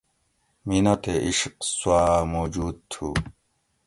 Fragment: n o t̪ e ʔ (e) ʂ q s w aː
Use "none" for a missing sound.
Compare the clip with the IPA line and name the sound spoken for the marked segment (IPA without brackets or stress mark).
i